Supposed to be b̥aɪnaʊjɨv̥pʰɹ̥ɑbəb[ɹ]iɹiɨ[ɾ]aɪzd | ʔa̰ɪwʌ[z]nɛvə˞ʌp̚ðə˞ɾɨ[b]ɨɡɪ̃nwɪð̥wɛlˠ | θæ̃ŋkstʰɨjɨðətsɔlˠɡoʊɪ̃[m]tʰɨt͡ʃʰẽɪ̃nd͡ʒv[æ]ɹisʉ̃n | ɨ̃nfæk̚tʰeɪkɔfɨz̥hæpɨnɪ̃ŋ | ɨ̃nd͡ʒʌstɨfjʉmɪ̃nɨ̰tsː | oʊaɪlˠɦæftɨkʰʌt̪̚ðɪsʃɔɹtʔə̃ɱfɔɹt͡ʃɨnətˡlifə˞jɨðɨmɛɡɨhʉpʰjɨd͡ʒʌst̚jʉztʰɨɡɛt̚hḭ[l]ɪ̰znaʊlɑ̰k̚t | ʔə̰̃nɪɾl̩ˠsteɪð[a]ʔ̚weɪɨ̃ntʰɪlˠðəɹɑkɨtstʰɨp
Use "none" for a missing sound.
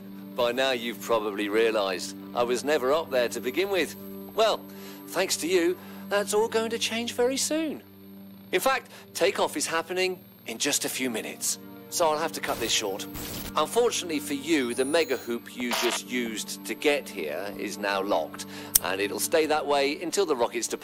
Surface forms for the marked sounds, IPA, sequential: l, l, z, b, ŋ, ɛ, ɹ, ə

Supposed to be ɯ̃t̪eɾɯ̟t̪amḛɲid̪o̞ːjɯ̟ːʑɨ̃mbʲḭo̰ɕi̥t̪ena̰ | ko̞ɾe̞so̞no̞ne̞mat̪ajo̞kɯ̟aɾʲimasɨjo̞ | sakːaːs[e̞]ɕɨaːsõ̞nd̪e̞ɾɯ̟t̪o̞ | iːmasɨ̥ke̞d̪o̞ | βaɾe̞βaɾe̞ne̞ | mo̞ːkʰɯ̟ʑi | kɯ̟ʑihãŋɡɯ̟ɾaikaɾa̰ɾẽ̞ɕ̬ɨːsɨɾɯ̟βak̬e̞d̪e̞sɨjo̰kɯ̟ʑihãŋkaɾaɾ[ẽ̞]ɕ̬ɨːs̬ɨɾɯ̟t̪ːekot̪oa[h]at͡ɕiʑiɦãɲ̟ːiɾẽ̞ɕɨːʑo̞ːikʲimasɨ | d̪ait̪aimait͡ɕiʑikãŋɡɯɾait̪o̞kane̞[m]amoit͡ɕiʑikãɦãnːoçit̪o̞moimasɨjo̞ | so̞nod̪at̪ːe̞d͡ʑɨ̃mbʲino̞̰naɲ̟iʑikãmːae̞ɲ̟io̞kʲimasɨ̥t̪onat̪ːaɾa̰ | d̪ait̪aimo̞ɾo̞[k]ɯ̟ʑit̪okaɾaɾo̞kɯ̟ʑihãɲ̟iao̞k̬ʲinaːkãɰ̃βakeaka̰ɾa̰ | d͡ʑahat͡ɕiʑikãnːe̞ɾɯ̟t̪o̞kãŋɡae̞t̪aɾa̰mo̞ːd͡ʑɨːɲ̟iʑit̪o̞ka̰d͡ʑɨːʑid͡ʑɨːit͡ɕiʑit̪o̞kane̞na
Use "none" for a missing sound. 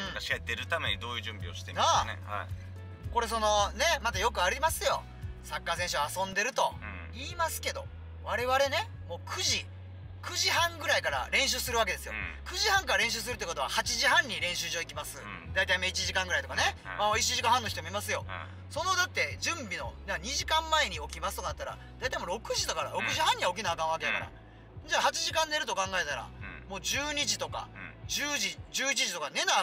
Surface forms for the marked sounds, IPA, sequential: ẽ̞, ẽ̞, h, m, k

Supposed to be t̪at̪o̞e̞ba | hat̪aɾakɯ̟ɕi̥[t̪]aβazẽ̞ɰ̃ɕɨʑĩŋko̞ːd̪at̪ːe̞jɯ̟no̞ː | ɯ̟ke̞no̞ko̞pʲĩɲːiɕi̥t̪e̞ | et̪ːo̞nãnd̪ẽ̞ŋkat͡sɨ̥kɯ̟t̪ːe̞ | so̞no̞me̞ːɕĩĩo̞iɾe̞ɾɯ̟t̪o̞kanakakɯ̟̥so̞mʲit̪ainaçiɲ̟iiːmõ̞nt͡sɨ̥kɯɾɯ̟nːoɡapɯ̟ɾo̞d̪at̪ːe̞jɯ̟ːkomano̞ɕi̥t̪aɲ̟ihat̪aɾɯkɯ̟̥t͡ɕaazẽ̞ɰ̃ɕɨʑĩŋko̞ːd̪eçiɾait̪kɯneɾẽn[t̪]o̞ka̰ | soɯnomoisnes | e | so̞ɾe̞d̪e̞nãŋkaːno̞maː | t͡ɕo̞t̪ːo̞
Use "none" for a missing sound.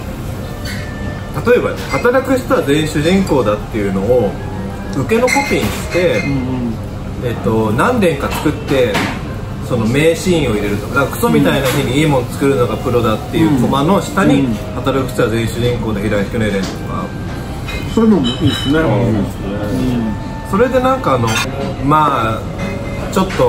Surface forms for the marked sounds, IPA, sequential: t̪, t̪

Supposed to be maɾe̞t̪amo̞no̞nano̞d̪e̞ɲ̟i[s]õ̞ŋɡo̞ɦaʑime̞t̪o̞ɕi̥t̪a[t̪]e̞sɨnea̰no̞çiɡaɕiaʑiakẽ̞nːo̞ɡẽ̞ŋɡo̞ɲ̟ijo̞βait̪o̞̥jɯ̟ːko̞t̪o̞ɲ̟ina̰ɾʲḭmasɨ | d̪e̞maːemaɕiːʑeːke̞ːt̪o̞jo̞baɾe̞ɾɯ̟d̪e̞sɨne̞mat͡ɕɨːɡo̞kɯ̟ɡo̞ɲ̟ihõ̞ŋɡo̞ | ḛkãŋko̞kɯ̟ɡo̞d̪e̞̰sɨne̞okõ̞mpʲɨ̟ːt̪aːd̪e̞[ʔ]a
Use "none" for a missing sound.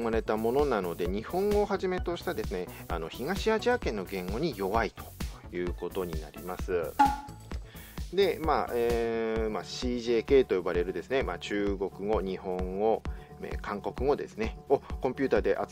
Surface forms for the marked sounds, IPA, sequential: h, d̪, ʔ

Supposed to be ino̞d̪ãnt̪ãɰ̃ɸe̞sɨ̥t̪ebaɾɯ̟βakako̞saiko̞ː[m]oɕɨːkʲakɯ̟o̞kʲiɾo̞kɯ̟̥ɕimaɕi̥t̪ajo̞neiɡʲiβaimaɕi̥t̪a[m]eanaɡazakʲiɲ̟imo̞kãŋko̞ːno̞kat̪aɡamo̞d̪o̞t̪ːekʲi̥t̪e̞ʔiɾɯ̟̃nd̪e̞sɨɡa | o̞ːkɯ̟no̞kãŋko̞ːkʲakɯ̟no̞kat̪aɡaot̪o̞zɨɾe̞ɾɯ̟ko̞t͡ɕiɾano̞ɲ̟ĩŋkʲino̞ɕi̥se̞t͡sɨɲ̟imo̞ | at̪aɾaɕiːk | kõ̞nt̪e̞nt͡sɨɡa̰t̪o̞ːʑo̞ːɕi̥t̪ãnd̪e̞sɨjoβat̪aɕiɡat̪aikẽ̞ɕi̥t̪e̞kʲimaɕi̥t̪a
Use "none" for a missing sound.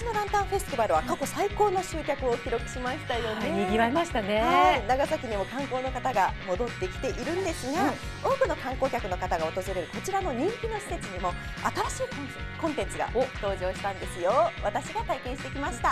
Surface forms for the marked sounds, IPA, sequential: n, n

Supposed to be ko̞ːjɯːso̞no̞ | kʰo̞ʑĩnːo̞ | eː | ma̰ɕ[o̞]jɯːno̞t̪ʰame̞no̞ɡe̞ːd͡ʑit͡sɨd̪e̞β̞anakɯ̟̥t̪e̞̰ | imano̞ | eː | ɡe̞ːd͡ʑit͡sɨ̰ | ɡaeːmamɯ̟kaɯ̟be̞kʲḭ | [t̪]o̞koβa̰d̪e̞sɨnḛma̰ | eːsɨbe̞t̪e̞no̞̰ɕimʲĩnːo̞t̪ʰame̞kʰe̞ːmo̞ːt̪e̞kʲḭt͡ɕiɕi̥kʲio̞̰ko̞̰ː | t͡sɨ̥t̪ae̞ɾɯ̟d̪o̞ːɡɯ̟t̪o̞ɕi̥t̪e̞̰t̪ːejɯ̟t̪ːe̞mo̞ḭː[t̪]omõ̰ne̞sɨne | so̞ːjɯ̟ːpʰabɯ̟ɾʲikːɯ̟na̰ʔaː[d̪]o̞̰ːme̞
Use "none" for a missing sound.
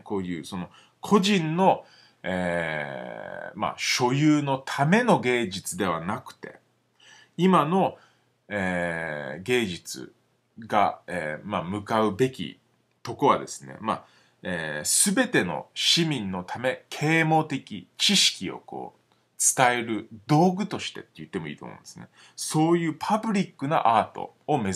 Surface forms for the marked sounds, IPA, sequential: o̞, t̪, t̪, t̪

